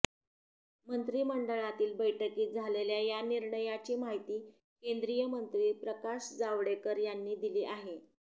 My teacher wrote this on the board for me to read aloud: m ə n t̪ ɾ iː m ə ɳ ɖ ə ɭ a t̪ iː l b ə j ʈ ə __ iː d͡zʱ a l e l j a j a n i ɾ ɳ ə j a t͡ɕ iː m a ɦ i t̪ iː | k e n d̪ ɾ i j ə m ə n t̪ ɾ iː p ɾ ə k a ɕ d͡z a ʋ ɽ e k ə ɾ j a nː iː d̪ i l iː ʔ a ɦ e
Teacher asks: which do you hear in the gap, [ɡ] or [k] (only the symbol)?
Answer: k